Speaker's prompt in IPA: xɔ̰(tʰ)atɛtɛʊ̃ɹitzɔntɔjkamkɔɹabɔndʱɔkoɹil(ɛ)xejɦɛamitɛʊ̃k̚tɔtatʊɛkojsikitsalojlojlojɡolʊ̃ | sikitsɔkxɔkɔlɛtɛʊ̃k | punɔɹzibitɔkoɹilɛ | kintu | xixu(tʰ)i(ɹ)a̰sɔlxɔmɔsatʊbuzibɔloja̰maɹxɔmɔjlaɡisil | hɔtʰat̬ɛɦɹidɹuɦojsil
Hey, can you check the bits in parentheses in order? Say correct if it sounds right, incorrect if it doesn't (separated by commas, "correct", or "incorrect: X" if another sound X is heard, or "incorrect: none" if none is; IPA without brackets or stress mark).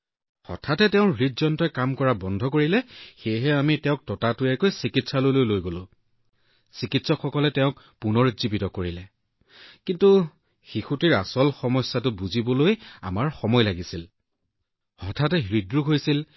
correct, correct, incorrect: t, correct